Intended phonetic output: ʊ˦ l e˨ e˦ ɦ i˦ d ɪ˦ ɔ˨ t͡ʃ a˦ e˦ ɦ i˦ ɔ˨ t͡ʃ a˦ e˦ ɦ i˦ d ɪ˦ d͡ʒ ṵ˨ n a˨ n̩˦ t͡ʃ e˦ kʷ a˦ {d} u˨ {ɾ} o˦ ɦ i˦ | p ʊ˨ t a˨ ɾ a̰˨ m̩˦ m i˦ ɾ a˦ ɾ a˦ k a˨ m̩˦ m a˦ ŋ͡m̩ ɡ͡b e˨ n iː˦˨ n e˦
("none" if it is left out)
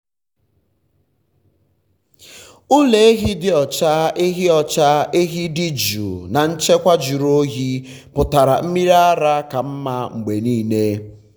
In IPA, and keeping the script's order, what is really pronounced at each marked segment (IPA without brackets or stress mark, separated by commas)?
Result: d͡ʒ, ɾ